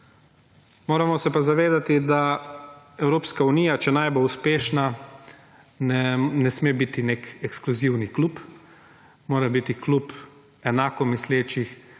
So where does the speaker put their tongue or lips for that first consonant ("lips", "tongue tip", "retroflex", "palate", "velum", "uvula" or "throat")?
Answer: lips